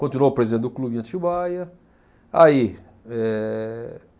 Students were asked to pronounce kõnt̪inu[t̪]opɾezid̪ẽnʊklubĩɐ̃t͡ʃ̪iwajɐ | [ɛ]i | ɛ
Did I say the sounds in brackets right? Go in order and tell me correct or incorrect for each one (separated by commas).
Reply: incorrect, incorrect